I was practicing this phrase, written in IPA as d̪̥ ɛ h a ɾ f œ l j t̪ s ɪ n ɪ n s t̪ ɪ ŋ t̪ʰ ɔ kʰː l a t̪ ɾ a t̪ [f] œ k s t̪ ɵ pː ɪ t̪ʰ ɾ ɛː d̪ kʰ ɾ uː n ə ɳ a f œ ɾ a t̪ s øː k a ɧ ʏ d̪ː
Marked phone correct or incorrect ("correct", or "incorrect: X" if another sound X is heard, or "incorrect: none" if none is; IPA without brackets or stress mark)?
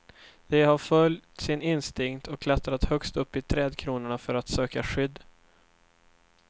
incorrect: h